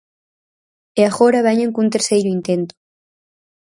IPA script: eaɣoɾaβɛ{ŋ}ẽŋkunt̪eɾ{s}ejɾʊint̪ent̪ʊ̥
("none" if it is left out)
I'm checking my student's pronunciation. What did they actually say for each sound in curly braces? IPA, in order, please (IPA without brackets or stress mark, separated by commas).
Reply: ɲ, s